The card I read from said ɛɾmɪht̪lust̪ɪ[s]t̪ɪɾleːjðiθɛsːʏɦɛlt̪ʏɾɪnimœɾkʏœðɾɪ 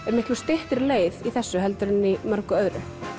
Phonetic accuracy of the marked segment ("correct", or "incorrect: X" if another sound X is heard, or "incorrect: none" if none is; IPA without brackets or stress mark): incorrect: h